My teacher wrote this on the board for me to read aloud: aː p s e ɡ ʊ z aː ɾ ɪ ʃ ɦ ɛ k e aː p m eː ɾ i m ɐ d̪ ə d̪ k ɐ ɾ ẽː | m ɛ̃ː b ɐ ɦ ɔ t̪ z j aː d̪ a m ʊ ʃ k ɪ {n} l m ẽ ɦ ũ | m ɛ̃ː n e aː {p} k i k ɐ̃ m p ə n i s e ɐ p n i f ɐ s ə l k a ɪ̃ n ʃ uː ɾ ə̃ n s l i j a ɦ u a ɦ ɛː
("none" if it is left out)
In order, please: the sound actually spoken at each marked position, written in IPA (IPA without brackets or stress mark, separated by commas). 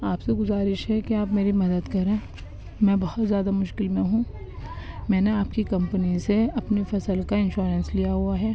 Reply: none, p